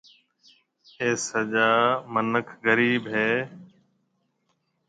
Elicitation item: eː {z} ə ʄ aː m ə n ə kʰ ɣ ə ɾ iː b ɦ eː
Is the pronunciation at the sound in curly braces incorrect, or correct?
incorrect